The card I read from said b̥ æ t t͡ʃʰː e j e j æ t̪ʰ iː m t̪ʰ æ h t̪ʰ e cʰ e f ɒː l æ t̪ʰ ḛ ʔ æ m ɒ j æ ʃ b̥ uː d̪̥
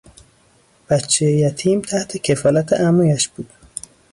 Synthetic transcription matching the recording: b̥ æ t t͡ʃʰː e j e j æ t̪ʰ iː m t̪ʰ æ h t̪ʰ e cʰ e f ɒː l æ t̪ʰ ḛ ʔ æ m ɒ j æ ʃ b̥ uː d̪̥